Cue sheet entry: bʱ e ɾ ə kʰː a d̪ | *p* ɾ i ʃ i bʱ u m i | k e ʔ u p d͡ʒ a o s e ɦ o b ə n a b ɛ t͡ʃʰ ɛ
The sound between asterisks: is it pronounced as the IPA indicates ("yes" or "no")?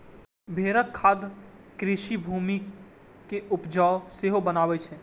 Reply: no